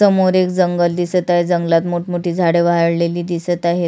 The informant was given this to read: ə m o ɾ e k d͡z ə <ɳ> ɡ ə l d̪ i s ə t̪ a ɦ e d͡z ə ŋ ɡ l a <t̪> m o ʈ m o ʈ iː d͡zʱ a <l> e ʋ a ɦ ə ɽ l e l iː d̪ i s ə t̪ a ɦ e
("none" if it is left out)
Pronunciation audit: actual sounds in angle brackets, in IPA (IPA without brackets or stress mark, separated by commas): ŋ, t̪, ɽ